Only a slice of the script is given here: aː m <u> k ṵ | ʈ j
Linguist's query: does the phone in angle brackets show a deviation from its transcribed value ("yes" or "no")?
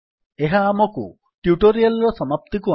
yes